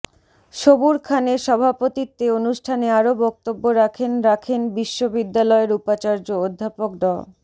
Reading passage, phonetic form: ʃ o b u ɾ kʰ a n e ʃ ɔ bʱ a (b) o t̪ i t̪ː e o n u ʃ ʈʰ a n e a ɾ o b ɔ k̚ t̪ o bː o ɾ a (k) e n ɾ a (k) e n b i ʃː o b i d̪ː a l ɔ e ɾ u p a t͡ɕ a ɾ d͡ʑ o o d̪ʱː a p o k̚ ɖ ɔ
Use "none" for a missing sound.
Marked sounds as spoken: p, kʰ, kʰ

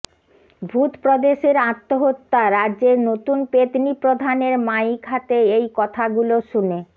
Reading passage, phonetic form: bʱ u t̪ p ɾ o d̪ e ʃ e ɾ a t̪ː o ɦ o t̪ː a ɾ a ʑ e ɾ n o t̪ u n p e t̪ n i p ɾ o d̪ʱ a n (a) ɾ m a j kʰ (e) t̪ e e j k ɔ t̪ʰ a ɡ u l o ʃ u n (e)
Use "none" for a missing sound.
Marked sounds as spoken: e, a, e

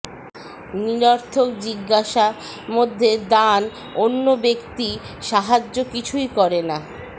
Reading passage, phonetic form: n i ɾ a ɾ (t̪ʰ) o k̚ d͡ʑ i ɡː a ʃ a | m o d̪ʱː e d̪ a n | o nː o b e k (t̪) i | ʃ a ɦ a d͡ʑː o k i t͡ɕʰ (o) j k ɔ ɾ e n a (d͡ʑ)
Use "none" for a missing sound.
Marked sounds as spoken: t̪ʰ, t̪, u, none

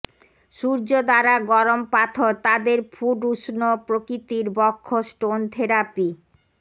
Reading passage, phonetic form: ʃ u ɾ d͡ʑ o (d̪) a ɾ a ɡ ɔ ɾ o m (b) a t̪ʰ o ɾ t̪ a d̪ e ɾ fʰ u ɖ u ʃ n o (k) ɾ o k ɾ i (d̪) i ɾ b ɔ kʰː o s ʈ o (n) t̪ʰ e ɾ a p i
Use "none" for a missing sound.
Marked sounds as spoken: d̪, p, p, t̪, n

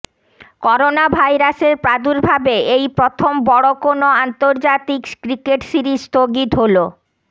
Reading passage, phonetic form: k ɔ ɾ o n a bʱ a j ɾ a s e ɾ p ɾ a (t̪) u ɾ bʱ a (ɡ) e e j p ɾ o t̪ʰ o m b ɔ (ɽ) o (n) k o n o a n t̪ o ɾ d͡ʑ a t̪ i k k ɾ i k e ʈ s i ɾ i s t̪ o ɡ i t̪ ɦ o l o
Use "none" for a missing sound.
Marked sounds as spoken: d̪, b, ɽ, none

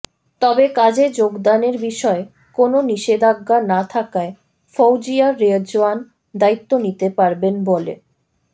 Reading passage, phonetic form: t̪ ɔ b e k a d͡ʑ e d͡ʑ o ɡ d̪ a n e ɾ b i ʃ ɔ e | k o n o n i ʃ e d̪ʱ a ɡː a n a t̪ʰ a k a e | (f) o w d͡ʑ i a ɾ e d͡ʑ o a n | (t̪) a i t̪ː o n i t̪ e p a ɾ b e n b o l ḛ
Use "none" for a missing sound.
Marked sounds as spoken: f, d̪

